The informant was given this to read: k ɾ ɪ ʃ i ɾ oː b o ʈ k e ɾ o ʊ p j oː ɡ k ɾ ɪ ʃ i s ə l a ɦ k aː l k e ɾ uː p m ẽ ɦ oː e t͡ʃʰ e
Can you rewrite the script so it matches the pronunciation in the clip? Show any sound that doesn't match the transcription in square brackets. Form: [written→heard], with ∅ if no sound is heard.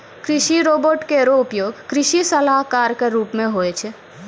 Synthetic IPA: k ɾ ɪ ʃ i ɾ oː b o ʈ k e ɾ o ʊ p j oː ɡ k ɾ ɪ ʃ i s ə l a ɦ k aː [l→ɾ] k e ɾ uː p m ẽ ɦ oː e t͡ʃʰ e